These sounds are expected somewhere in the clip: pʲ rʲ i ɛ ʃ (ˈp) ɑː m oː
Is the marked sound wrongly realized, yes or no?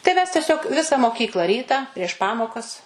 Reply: no